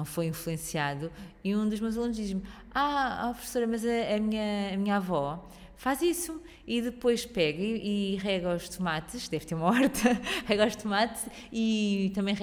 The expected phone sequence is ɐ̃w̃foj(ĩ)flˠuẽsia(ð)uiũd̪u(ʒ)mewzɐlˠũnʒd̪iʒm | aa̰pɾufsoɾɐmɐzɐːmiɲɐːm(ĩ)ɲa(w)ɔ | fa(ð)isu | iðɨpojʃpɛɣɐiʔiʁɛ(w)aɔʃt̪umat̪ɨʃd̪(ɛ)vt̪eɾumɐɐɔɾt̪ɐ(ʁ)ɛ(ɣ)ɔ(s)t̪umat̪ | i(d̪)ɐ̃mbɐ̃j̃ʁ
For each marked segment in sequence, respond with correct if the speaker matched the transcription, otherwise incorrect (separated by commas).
correct, correct, correct, incorrect, incorrect, incorrect, incorrect, correct, correct, correct, incorrect, incorrect